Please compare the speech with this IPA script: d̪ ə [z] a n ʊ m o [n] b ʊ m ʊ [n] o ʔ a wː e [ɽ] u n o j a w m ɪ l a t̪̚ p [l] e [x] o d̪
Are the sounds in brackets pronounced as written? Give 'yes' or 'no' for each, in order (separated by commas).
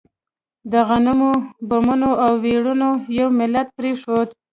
no, no, yes, yes, no, no